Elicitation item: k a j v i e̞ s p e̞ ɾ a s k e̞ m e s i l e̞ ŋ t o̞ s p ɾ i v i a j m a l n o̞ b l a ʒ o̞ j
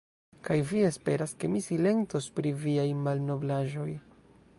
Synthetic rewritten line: k a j v i e̞ s p e̞ ɾ a s k e̞ m i s i l e̞ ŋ t o̞ s p ɾ i v i a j m a l n o̞ b l a ʒ o̞ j